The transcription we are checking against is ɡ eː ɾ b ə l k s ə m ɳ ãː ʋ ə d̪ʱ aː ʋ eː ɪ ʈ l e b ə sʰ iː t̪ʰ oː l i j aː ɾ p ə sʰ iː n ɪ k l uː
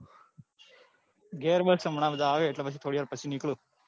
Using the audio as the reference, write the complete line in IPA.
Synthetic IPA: ɡ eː ɾ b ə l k s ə m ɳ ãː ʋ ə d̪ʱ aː ʋ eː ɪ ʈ l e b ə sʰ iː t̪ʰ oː ɽ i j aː ɾ p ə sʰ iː n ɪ k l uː